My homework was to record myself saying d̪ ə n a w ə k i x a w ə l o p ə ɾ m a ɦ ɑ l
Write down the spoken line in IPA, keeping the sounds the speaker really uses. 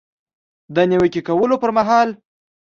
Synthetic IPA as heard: d̪ ə n i w ə k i k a w ə l o p ə ɾ m a ɦ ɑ l